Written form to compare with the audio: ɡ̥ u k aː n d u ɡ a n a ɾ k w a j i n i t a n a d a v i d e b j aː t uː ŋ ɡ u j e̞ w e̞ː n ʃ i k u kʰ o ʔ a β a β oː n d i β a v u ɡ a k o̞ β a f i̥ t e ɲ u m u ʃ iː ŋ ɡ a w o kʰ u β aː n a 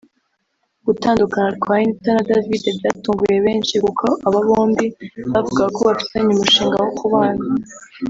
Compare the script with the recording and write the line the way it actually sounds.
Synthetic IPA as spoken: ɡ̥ u t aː n d u k a n a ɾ k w a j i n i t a n a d a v i d e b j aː t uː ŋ ɡ u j e̞ β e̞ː n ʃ i k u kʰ o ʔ a β a β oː n d i β a v u ɡ a k o̞ β a f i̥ s e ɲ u m u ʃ iː ŋ ɡ a w o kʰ u β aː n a